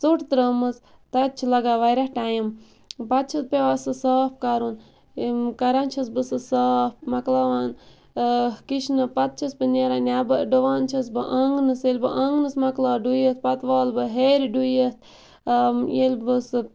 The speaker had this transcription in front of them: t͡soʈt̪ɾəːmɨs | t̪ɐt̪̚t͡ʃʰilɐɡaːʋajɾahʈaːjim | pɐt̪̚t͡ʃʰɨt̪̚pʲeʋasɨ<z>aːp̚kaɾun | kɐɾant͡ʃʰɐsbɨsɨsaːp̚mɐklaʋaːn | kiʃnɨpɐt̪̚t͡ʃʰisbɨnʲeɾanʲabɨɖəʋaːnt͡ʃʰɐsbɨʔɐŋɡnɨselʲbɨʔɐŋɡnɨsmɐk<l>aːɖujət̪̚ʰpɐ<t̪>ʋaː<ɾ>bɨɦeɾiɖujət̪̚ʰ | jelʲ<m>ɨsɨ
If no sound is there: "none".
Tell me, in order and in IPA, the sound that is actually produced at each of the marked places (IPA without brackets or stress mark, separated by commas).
s, l, t̪, l, b